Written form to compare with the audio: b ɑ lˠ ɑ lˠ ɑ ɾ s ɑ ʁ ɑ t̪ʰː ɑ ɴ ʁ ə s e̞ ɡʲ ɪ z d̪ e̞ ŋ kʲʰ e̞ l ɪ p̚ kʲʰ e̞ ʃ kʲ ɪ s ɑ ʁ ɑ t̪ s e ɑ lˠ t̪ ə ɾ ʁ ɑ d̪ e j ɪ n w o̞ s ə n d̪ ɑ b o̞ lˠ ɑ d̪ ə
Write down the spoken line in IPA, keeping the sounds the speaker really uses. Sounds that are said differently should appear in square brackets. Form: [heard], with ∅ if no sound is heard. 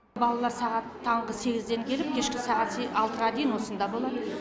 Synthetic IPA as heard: b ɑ lˠ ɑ lˠ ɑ ɾ s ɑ ʁ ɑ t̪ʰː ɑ ɴ ʁ ə s e̞ ɡʲ ɪ z d̪ e̞ ŋ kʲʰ e̞ l ɪ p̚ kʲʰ e̞ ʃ kʲ ɪ s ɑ ʁ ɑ t̪ s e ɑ lˠ t̪ ə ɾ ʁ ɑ d̪ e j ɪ n w o̞ s ə n d̪ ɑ b o̞ lˠ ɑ d̪ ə